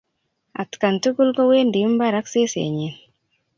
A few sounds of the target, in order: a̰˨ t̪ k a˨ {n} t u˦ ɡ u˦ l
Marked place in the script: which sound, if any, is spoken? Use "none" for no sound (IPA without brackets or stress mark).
n